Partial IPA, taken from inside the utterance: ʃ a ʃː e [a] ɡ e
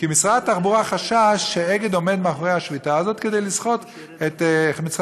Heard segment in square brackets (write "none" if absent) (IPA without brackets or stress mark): e